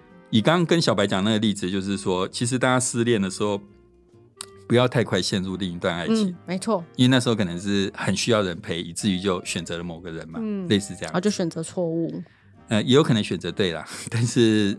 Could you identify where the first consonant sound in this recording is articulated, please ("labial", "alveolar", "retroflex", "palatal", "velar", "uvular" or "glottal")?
velar